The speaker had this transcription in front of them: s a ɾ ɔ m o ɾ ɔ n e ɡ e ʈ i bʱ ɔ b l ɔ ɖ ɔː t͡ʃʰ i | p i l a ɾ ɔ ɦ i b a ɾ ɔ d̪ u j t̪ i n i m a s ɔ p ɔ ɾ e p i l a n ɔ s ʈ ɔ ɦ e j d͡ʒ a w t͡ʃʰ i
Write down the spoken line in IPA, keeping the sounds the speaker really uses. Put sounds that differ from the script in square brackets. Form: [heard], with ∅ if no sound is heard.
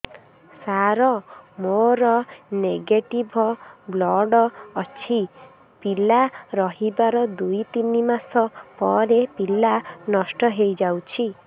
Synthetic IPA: s a ɾ ɔ m o ɾ ɔ n e ɡ e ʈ i bʱ ɔ b l ɔ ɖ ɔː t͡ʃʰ i | p i l a ɾ ɔ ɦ i b a ɾ ɔ d̪ u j t̪ i n i m a s ɔ p ɔ ɾ e p i l a n ɔ s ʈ ɔ ɦ e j d͡ʒ a w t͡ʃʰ i